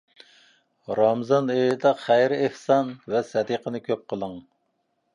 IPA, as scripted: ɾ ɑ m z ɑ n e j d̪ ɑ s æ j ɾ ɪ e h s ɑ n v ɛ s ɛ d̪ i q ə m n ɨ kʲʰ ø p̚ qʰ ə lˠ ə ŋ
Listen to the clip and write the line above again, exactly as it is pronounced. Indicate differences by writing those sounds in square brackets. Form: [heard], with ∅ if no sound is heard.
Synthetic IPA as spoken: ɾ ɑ m z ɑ n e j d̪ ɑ [χ] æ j ɾ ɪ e h s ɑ n v ɛ s ɛ d̪ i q ə [∅] n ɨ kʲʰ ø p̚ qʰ ə lˠ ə ŋ